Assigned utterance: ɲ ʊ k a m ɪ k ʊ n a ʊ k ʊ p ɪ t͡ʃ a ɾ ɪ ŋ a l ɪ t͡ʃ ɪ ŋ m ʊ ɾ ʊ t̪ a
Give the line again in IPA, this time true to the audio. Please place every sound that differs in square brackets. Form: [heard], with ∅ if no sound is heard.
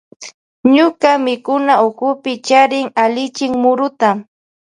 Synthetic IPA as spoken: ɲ ʊ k a m ɪ k ʊ n a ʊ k ʊ p ɪ t͡ʃ a ɾ ɪ ŋ a l ɪ t͡ʃ ɪ ŋ m ʊ ɾ ʊ t̪ a